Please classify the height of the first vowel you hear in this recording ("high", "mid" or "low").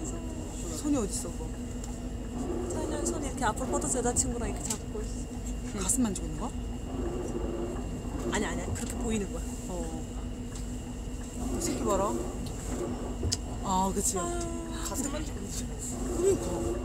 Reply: mid